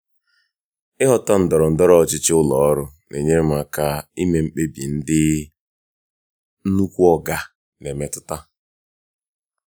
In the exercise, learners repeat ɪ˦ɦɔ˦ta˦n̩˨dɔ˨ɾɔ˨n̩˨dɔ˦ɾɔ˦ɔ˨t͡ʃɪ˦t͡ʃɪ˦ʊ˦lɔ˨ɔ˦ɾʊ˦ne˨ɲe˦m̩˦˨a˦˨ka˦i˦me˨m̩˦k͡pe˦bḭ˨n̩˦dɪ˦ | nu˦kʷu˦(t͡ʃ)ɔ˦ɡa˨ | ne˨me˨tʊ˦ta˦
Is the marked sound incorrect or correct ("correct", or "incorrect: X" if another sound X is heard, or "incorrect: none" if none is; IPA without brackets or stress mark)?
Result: incorrect: none